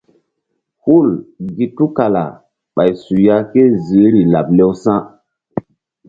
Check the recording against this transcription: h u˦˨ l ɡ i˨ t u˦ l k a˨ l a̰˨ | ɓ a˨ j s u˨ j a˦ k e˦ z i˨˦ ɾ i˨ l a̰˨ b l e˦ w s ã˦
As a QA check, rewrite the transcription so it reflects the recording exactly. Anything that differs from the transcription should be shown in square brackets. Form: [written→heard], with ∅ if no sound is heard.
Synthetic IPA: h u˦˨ l ɡ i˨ t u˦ [l→∅] k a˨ l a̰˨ | ɓ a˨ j s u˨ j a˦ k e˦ z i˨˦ ɾ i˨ l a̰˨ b l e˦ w s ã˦